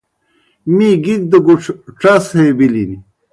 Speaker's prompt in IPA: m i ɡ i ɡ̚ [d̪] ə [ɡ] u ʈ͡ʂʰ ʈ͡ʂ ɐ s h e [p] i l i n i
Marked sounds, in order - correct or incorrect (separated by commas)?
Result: correct, correct, incorrect